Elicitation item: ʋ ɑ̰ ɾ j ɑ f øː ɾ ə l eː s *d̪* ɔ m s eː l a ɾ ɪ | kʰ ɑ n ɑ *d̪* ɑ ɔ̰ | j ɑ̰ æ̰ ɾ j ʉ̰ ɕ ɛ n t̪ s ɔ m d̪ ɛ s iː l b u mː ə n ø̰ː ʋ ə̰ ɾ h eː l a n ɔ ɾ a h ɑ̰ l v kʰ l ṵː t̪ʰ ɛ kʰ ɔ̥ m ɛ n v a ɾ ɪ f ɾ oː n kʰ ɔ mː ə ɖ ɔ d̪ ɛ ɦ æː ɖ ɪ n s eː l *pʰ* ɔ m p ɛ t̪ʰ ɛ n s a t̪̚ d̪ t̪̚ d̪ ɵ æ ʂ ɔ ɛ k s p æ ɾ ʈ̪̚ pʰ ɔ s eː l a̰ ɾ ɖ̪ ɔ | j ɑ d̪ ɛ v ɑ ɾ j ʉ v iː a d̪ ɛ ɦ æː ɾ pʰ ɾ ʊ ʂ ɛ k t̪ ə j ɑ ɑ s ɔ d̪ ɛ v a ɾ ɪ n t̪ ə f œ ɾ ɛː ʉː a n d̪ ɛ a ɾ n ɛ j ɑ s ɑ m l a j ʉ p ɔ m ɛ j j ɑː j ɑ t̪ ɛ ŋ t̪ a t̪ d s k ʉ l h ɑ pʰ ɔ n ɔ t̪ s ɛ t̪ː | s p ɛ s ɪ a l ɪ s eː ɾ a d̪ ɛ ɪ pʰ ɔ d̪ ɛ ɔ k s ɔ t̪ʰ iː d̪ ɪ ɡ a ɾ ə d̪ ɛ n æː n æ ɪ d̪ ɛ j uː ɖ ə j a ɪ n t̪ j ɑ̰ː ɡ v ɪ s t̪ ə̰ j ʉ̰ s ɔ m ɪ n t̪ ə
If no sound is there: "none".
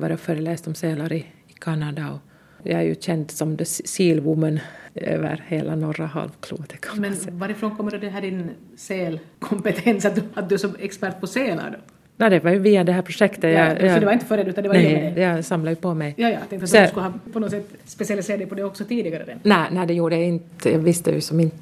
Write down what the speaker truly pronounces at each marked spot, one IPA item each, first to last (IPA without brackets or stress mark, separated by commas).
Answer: t̪, d̪, kʰ